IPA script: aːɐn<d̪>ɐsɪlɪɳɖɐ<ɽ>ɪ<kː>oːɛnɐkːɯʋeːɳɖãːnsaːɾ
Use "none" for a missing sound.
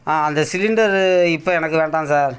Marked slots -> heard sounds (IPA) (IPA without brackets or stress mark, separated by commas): d̪, ɾ, pː